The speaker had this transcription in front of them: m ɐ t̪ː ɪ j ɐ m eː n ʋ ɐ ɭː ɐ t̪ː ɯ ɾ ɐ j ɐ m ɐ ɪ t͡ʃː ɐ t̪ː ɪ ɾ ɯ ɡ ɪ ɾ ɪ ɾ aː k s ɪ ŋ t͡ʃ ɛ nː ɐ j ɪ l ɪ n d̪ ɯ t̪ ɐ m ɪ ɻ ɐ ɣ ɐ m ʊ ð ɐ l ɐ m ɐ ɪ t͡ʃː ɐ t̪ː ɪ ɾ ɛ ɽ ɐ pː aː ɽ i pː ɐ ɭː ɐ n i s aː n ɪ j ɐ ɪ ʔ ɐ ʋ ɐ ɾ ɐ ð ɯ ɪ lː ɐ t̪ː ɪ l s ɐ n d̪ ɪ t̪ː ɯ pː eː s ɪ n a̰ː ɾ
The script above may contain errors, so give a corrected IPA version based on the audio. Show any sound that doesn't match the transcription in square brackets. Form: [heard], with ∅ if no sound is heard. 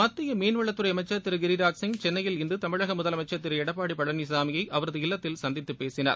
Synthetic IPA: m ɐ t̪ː ɪ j ɐ m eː n ʋ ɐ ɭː ɐ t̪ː ɯ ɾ ɐ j ɐ m ɐ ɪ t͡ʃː ɐ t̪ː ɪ ɾ ɯ ɡ ɪ ɾ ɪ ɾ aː k s ɪ ŋ t͡ʃ ɛ nː ɐ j ɪ l ɪ n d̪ ɯ t̪ ɐ m ɪ ɻ ɐ ɣ ɐ m ʊ ð ɐ l ɐ m ɐ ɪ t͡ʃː ɐ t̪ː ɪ ɾ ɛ ɽ ɐ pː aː ɽ i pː ɐ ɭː ɐ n i s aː [m] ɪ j ɐ ɪ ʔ ɐ ʋ ɐ ɾ ɐ ð ɯ ɪ lː ɐ t̪ː ɪ l s ɐ n d̪ ɪ t̪ː ɯ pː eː s ɪ n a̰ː ɾ

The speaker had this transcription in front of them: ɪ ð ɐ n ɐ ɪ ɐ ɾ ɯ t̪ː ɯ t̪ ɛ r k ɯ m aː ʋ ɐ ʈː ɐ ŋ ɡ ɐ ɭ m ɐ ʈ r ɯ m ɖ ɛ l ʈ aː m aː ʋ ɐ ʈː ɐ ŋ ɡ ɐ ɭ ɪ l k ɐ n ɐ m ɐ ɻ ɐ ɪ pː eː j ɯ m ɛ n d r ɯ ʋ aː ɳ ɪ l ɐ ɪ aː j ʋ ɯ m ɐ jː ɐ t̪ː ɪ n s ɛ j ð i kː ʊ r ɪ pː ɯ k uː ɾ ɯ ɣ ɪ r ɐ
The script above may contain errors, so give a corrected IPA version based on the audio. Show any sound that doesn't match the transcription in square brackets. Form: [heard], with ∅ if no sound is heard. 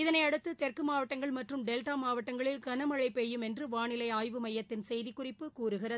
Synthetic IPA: ɪ ð ɐ n ɐ ɪ ɐ [ɽ] ɯ t̪ː ɯ t̪ ɛ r k ɯ m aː ʋ ɐ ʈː ɐ ŋ ɡ ɐ ɭ m ɐ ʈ r ɯ m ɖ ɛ l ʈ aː m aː ʋ ɐ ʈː ɐ ŋ ɡ ɐ ɭ ɪ l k ɐ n ɐ m ɐ ɻ ɐ ɪ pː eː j ɯ m ɛ n d r ɯ ʋ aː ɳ ɪ l ɐ ɪ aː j ʋ ɯ m ɐ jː ɐ t̪ː ɪ n s ɛ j ð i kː ʊ r ɪ pː ɯ k uː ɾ ɯ ɣ ɪ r ɐ

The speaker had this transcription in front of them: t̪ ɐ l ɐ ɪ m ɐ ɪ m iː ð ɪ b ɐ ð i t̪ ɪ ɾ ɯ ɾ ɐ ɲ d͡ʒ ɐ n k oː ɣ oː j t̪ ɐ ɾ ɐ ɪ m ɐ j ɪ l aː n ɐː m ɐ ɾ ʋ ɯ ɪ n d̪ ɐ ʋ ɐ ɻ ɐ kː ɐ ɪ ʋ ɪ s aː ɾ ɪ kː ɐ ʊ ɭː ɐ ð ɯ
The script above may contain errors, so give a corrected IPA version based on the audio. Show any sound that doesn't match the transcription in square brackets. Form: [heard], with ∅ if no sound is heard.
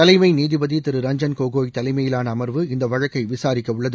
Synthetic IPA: t̪ ɐ l ɐ ɪ m ɐ ɪ [n] iː ð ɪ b ɐ ð i t̪ ɪ ɾ ɯ ɾ ɐ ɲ d͡ʒ ɐ n k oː ɣ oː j t̪ ɐ [l] ɐ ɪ m ɐ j ɪ l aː n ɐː m ɐ ɾ ʋ ɯ ɪ n d̪ ɐ ʋ ɐ ɻ ɐ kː ɐ ɪ ʋ ɪ s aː ɾ ɪ kː ɐ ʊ ɭː ɐ ð ɯ

